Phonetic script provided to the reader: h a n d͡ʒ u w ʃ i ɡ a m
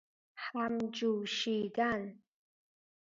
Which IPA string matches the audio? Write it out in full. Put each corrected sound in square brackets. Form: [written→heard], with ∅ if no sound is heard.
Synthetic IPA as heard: [h→ħ] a [n→m] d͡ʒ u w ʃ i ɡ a [m→n]